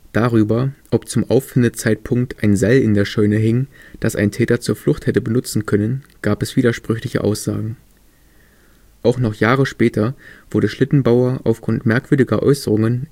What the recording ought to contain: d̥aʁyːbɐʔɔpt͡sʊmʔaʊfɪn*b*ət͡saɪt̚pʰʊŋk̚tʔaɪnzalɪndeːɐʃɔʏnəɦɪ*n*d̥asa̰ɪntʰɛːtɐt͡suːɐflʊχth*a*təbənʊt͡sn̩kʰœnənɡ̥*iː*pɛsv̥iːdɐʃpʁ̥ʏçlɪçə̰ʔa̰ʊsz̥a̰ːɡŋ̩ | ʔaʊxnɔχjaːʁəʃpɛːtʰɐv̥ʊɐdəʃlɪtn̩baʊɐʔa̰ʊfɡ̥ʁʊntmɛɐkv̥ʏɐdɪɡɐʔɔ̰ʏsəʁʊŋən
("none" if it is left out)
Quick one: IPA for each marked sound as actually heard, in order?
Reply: d, ŋ, ɛ, aː

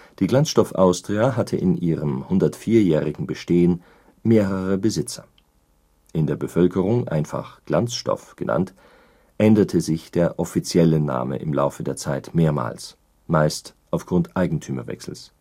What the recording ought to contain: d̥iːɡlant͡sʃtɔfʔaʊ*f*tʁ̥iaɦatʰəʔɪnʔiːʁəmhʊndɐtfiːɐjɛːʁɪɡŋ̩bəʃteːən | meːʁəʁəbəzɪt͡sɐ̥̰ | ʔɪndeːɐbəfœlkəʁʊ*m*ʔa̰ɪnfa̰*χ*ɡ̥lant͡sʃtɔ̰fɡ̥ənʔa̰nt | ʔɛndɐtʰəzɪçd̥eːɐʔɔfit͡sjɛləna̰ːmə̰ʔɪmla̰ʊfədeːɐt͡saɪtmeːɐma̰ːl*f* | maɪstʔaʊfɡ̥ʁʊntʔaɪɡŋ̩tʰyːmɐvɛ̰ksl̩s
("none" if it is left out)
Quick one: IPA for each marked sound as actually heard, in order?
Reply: s, ŋ, χ, s

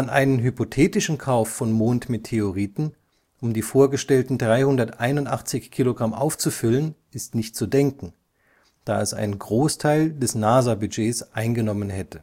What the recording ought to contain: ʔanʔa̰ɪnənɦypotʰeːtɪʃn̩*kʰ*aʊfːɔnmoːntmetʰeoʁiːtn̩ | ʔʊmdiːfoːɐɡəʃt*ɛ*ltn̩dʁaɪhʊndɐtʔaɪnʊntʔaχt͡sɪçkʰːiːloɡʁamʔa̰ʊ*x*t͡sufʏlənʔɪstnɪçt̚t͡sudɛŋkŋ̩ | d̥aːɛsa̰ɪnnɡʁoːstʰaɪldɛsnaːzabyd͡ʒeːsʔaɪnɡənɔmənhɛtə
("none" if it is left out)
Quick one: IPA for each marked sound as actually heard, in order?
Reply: kʰ, ɛ, f

